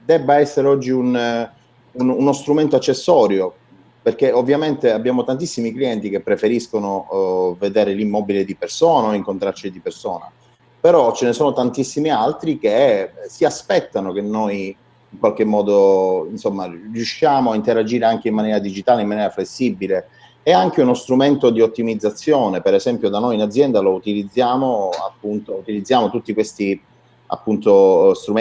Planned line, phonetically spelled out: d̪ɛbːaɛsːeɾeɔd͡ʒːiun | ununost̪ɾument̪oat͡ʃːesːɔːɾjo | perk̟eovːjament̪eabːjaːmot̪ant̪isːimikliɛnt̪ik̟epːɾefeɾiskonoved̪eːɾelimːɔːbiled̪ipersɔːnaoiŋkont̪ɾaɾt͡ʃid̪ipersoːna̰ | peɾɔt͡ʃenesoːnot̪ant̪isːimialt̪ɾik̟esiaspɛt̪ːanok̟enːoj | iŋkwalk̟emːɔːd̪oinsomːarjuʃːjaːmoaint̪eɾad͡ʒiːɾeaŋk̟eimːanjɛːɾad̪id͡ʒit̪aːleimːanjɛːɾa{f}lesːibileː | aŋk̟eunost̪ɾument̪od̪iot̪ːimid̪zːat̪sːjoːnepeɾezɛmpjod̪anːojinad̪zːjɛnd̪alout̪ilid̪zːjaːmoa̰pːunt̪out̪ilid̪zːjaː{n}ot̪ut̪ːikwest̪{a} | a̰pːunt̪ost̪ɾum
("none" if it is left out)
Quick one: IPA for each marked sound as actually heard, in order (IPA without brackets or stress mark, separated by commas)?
f, m, i